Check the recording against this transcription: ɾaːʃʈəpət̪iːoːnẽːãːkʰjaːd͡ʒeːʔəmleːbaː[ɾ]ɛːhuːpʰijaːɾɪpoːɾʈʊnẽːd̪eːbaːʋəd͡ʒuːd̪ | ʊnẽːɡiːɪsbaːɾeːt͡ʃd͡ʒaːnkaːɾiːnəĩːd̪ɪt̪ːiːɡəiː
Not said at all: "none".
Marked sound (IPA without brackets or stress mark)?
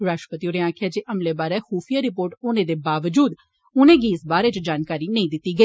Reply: ɾ